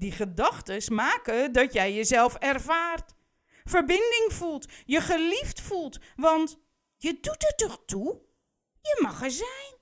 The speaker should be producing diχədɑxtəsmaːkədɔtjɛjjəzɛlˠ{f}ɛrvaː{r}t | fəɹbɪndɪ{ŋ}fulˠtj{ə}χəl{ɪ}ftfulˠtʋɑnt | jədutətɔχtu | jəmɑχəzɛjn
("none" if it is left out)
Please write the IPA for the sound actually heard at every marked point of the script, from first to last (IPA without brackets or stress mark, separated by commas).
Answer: f, r, ŋ, ə, i